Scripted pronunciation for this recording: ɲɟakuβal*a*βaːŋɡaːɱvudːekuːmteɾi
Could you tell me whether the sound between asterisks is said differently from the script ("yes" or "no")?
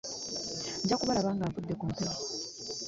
no